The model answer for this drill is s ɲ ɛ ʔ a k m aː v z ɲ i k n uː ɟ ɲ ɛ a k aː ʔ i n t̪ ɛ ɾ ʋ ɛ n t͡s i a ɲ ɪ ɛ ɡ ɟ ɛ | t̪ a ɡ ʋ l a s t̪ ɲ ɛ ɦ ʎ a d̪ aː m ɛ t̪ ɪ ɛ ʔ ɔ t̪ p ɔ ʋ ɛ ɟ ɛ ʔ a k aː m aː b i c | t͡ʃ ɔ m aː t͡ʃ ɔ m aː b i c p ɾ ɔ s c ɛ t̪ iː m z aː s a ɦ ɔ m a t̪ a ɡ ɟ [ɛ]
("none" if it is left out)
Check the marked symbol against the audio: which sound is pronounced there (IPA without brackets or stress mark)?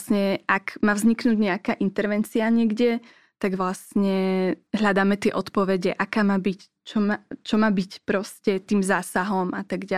a